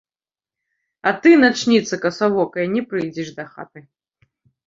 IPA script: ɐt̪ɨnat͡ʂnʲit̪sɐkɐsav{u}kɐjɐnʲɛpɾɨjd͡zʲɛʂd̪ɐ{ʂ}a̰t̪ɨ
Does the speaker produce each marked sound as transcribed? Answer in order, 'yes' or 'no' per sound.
no, no

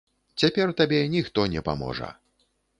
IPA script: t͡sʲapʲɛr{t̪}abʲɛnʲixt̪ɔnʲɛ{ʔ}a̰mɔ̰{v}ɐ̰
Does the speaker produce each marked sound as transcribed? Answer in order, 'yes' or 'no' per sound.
yes, no, no

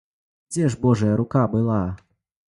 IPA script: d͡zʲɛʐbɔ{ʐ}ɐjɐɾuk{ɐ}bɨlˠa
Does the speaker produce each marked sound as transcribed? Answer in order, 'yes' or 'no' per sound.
yes, no

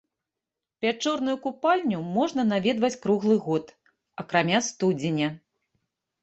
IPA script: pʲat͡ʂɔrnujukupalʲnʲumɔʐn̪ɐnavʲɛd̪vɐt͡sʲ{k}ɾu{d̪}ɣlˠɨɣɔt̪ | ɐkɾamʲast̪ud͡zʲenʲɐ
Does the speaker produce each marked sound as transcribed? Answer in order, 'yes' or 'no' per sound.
yes, no

